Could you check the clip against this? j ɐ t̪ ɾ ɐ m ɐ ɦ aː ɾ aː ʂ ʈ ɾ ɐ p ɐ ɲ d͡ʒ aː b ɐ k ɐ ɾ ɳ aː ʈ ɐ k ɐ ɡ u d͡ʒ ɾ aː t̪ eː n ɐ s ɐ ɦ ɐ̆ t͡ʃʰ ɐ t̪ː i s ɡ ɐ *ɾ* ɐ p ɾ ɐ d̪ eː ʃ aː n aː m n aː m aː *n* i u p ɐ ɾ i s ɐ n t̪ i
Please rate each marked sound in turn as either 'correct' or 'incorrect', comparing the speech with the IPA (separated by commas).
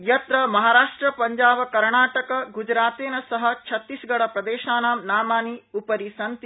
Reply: incorrect, correct